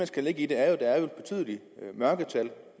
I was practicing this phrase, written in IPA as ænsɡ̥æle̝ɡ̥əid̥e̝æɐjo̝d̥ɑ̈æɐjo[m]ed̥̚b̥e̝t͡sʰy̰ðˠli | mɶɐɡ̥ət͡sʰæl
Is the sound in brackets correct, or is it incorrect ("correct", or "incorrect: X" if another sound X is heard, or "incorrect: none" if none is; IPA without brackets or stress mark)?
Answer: incorrect: none